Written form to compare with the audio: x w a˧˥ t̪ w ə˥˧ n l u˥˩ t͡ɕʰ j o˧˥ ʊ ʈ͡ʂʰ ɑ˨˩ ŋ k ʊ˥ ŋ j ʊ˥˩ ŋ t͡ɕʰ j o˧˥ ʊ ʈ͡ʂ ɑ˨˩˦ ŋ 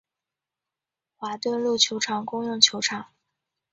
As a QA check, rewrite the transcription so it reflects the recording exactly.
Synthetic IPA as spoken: x w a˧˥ t̪ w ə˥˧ n l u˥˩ t͡ɕʰ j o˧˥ ʊ ʈ͡ʂʰ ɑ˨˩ ŋ k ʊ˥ ŋ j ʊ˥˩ ŋ t͡ɕʰ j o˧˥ ʊ ʈ͡ʂʰ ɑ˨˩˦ ŋ

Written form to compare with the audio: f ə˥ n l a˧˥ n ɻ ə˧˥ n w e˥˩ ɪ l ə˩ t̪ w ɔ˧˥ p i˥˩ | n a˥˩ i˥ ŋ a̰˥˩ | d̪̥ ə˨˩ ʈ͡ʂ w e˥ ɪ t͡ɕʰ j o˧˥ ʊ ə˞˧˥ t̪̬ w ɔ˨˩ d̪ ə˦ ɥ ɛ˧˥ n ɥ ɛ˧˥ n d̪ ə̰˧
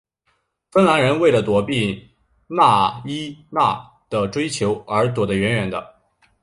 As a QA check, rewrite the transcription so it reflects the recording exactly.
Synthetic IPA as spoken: f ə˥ n l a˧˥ n ɻ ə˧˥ n w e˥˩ ɪ l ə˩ t̪ w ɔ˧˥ p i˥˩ | n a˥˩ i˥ n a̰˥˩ | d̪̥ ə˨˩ ʈ͡ʂ w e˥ ɪ t͡ɕʰ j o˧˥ ʊ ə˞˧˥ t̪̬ w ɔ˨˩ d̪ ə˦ ɥ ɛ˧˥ n ɥ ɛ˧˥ n d̪ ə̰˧

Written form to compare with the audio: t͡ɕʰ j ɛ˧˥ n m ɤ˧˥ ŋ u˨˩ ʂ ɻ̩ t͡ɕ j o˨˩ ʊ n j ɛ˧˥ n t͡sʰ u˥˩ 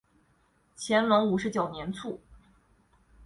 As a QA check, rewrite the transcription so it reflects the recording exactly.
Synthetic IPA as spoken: t͡ɕʰ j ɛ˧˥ n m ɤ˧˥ ŋ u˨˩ ʂ ɻ̩ t͡ɕ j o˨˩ ʊ n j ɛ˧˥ n t͡sʰ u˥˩

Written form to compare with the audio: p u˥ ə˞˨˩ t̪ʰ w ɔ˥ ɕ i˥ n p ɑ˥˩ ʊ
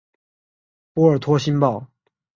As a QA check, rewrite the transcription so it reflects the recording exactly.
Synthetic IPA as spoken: p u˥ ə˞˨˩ t̪ʰ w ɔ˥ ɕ i˥ n p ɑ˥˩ ʊ

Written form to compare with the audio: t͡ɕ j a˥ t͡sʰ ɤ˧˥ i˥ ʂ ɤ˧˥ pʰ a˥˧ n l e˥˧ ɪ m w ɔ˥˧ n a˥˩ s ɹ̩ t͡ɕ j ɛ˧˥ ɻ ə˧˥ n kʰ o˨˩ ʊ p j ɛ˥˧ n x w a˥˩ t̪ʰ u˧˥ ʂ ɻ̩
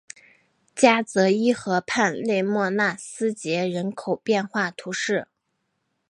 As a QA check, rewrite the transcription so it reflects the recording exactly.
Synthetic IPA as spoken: t͡ɕ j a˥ t͡s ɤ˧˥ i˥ x ɤ˧˥ pʰ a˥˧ n l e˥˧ ɪ m w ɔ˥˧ n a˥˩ s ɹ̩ t͡ɕ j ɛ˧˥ ɻ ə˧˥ n kʰ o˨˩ ʊ p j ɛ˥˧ n x w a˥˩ t̪ʰ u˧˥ ʂ ɻ̩

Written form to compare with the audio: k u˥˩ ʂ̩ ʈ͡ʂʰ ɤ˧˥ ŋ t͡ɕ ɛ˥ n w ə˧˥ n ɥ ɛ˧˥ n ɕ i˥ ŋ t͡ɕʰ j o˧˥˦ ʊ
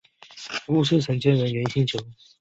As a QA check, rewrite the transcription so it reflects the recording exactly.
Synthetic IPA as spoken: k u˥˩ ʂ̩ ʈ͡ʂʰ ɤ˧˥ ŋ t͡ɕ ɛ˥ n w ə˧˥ n ɥ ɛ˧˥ n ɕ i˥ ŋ t͡ɕʰ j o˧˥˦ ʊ

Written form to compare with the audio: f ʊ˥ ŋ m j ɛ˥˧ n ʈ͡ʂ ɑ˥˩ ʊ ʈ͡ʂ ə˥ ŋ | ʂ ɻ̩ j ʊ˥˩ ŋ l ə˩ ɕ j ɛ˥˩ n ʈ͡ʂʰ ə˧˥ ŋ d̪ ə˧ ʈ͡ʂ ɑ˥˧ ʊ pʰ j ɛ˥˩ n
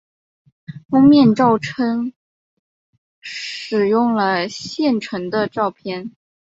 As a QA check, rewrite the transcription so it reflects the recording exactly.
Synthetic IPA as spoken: f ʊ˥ ŋ m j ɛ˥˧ n ʈ͡ʂ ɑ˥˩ ʊ ʈ͡ʂʰ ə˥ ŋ | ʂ ɻ̩ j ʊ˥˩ ŋ l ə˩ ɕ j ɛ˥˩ n ʈ͡ʂʰ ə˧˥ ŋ d̪ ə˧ ʈ͡ʂ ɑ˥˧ ʊ pʰ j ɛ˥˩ n

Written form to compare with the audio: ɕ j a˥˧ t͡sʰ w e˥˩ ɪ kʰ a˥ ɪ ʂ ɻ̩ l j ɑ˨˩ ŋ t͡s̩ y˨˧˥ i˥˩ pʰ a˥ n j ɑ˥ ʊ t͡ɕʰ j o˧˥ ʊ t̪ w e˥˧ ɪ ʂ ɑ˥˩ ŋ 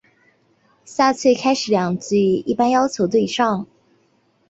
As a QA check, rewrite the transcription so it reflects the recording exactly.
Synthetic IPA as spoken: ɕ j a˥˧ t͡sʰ w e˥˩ ɪ kʰ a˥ ɪ ʂ ɻ̩ l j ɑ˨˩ ŋ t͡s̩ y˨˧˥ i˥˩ p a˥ n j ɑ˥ ʊ t͡ɕʰ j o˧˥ ʊ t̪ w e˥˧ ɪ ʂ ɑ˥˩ ŋ

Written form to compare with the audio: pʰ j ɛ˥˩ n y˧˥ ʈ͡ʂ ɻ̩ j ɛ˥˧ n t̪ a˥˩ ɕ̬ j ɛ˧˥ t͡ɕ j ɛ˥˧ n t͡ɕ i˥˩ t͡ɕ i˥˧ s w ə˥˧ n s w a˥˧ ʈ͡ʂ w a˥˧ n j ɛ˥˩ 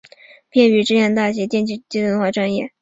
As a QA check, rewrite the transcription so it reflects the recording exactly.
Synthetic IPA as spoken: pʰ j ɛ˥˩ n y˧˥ ʈ͡ʂ ɻ̩ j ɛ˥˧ n t̪ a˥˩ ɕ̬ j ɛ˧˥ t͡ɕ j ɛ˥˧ n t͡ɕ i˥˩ t͡ɕ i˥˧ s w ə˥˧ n x w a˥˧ ʈ͡ʂ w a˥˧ n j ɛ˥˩

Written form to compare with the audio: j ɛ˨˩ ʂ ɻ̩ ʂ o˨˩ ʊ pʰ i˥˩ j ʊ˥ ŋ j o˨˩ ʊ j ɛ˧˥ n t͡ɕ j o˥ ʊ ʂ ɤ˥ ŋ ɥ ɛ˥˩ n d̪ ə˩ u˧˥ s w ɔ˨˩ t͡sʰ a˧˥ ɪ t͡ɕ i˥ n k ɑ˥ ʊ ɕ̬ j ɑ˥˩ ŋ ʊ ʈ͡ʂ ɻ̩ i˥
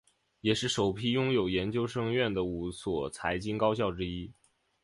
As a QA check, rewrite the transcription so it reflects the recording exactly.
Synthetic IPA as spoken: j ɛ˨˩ ʂ ɻ̩ ʂ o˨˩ ʊ pʰ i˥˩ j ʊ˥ ŋ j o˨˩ ʊ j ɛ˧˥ n t͡ɕ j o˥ ʊ ʂ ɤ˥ ŋ ɥ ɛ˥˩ n d̪ ə˩ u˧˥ s w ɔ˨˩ t͡sʰ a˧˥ ɪ t͡ɕ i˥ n k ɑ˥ ʊ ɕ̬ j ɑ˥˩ ʊ ʈ͡ʂ ɻ̩ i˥

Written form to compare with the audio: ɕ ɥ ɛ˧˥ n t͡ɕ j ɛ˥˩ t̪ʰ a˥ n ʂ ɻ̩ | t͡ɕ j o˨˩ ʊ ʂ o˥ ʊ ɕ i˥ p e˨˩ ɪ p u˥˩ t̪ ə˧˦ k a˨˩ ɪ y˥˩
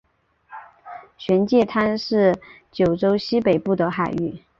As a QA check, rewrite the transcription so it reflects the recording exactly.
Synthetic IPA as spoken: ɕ ɥ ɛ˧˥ n t͡ɕ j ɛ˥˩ t̪ʰ a˥ n ʂ ɻ̩ | t͡ɕ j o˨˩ ʊ ʈ͡ʂ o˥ ʊ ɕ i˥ p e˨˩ ɪ p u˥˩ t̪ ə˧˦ x a˨˩ ɪ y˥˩

